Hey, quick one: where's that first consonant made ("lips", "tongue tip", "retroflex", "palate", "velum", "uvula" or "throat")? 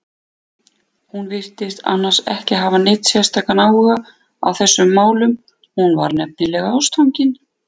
throat